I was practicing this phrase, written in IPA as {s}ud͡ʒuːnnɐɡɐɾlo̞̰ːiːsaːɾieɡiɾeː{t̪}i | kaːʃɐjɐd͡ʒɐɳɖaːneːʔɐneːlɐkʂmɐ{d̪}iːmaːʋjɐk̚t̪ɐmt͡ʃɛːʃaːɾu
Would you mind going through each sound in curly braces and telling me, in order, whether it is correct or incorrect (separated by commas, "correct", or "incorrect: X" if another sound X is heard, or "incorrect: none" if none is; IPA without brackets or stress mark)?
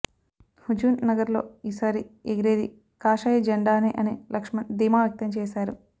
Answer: incorrect: h, incorrect: d̪, correct